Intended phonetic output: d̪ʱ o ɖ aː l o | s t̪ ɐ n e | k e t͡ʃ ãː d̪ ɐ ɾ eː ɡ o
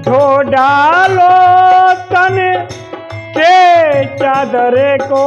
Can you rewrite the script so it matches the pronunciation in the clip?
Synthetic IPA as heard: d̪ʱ o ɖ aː l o | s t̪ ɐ n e | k e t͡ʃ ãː d̪ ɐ ɾ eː k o